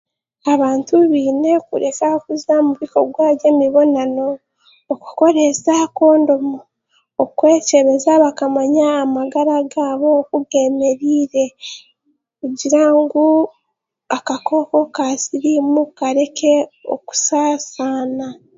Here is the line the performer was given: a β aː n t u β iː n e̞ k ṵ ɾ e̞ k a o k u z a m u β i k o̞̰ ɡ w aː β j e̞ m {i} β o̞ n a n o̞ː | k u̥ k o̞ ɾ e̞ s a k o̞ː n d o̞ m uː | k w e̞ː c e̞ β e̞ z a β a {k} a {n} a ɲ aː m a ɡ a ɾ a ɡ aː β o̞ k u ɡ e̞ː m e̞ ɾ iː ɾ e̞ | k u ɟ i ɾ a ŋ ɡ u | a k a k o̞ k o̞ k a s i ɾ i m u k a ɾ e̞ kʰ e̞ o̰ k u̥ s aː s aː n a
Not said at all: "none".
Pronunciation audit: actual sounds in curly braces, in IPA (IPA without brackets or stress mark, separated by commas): i, k, m